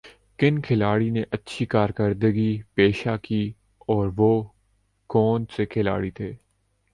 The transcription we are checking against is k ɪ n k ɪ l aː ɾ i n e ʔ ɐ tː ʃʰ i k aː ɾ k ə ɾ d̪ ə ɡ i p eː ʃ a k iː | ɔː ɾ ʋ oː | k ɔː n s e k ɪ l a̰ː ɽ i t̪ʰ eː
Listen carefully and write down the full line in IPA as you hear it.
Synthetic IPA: k ɪ n kʰ ɪ l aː ɽ i n e ʔ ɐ tː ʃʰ i k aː ɾ k ə ɾ d̪ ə ɡ i p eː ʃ a k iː | ɔː ɾ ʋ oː | k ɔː n s e kʰ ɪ l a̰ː ɽ i t̪ʰ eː